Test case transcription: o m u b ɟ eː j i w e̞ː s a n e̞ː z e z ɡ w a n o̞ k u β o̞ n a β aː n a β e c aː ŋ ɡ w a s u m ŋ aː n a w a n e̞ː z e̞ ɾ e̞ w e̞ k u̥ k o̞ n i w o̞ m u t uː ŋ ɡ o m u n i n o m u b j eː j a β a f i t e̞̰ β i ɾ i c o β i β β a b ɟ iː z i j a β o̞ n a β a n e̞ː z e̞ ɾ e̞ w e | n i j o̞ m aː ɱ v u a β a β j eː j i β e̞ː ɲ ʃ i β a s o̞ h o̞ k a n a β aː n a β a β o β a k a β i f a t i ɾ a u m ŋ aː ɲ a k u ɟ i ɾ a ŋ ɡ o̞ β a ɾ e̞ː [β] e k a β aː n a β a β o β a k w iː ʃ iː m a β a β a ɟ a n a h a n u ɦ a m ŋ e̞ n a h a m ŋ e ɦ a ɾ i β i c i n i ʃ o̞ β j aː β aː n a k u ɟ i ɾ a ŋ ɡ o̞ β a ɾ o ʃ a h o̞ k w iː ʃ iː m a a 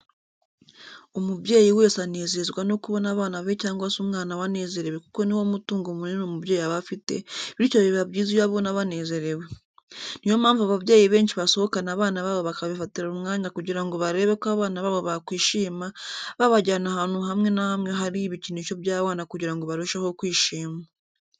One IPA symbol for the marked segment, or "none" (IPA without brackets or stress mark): β